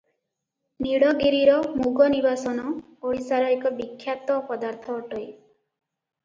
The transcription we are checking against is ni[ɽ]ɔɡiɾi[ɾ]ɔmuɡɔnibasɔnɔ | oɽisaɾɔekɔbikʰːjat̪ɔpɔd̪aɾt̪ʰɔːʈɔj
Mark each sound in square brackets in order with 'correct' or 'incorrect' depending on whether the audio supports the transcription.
correct, correct

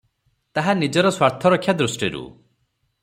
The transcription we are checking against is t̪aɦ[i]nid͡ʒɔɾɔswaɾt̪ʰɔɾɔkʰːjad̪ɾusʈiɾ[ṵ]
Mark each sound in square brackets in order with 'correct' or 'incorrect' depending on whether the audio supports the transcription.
incorrect: a, correct

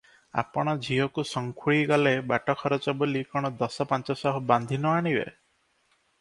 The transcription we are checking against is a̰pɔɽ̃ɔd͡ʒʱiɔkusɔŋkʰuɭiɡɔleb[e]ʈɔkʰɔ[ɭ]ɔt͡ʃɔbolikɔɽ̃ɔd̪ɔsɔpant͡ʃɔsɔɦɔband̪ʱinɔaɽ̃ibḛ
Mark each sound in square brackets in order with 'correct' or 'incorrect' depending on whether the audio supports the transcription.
incorrect: a, incorrect: ɾ

